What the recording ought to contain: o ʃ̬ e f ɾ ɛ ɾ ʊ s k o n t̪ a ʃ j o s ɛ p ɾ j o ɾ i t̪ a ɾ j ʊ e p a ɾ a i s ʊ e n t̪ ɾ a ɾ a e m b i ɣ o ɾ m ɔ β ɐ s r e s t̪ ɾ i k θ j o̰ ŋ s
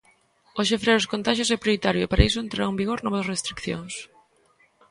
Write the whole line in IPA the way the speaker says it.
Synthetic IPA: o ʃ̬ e f ɾ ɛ ɾ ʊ s k o n t̪ a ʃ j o s ɛ p ɾ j o ɾ i t̪ a ɾ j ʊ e p a ɾ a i s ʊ e n t̪ ɾ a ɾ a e m b i ɣ o ɾ n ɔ β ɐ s r e s t̪ ɾ i k θ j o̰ ŋ s

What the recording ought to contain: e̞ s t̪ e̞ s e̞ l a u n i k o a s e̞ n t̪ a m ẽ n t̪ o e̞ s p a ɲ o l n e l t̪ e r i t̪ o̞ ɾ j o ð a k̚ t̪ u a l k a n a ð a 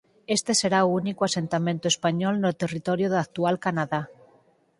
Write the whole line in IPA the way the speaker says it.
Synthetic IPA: e̞ s t̪ e̞ s e̞ ɾ a u n i k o a s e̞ n t̪ a m ẽ n t̪ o e̞ s p a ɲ o l n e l t̪ e r i t̪ o̞ ɾ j o ð a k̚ t̪ u a l k a n a ð a

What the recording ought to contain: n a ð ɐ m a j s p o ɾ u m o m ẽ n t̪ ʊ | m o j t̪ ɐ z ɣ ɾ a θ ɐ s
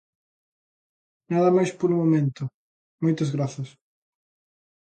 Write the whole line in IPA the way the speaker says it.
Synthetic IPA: n a ð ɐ m a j s p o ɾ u m o m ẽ n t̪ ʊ | m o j t̪ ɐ z ɣ ɾ a θ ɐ s

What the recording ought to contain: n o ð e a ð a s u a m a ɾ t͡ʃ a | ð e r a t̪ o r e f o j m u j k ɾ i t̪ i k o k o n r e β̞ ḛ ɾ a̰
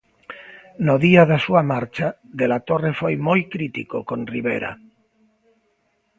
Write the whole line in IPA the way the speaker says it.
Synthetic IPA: n o ð i a ð a s u a m a ɾ t͡ʃ a | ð e l a t̪ o r e f o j m o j k ɾ i t̪ i k o k o n r i β̞ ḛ ɾ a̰

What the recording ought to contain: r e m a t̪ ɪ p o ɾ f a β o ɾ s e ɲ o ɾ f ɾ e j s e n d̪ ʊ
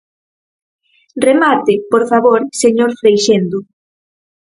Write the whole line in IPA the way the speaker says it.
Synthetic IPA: r e m a t̪ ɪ p o ɾ f a β o ɾ s e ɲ o ɾ f ɾ e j ʃ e n d̪ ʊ

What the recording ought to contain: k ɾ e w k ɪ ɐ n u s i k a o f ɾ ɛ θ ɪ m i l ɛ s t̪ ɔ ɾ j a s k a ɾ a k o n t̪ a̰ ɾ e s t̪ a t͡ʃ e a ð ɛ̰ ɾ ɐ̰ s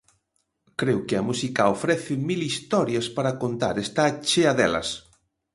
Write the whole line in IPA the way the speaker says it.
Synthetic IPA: k ɾ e w k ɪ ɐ m u s i k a o f ɾ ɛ θ ɪ m i l i s t̪ ɔ ɾ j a s p a ɾ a k o n t̪ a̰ ɾ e s t̪ a t͡ʃ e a ð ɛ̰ l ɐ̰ s

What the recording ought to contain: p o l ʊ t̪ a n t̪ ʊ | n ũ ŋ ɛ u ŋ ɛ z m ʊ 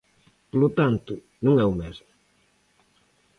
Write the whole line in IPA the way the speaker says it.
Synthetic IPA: p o l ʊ t̪ a n t̪ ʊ | n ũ ŋ ɛ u m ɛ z m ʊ

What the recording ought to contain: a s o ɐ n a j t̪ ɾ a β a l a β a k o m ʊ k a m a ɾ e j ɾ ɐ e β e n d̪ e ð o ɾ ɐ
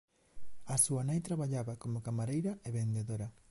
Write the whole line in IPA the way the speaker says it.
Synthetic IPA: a s u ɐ n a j t̪ ɾ a β a ʎ a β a k o m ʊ k a m a ɾ e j ɾ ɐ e β e n d̪ e ð o ɾ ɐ

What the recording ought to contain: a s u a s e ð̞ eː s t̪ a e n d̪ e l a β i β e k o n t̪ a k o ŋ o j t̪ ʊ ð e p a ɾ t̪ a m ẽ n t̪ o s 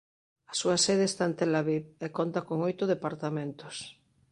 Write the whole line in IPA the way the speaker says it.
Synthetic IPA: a s u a s e ð̞ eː s t̪ a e n t̪ e l a β i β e k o n t̪ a k o ŋ o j t̪ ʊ ð e p a ɾ t̪ a m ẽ n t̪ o s

